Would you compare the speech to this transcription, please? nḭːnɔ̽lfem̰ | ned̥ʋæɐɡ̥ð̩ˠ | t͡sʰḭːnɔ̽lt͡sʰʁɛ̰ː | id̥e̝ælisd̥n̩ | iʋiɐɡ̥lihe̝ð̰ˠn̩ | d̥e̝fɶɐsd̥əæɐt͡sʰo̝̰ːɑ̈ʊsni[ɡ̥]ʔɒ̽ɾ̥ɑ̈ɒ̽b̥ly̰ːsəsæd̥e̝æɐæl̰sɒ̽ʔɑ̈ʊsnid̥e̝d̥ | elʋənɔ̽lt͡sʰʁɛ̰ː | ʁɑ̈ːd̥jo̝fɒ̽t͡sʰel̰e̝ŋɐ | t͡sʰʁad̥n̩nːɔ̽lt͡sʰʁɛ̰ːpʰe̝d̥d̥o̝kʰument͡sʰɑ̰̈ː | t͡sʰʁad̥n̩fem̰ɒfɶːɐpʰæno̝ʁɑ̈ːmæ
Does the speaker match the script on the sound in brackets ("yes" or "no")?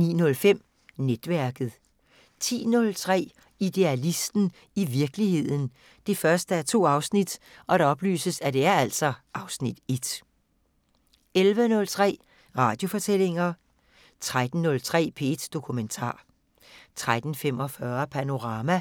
no